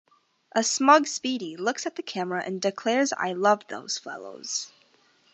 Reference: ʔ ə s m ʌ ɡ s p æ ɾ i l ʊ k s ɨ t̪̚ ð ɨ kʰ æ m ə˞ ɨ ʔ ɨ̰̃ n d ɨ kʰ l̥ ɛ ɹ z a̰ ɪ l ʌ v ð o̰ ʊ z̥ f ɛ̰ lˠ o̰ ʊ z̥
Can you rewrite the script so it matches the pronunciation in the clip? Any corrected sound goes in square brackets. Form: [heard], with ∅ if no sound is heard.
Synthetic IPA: ʔ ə s m ʌ ɡ s p [i] ɾ i l ʊ k s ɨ t̪̚ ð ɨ kʰ æ m ə˞ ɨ ʔ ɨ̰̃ n d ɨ kʰ l̥ ɛ ɹ z a̰ ɪ l ʌ v ð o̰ ʊ z̥ f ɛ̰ lˠ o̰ ʊ z̥